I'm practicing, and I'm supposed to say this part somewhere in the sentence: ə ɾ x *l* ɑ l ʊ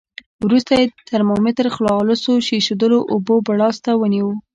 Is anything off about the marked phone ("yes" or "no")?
no